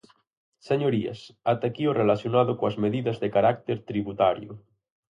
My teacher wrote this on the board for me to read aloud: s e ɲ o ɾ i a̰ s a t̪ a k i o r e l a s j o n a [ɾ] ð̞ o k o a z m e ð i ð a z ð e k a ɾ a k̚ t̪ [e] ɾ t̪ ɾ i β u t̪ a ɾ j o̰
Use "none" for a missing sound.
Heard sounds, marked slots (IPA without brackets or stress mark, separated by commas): none, e